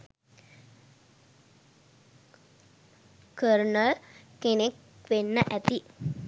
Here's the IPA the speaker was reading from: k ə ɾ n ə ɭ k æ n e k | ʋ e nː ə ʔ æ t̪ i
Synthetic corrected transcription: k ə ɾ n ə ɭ k e n e k | ʋ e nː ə ʔ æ t̪ i